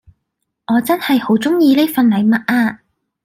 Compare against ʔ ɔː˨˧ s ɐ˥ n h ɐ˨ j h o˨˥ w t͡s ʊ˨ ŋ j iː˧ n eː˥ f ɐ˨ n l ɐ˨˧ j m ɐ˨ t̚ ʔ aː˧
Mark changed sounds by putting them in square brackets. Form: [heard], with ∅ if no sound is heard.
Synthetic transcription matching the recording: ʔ ɔː˨˧ [t͡s] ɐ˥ n h ɐ˨ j h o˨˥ w t͡s [ʊ˥] ŋ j iː˧ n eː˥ f ɐ˨ n l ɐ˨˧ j m ɐ˨ t̚ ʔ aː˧